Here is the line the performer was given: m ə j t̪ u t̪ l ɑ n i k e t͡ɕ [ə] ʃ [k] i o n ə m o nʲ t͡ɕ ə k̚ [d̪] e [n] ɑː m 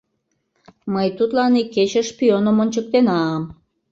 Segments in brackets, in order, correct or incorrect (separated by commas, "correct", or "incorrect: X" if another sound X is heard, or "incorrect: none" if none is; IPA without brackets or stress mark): correct, incorrect: p, incorrect: t̪, correct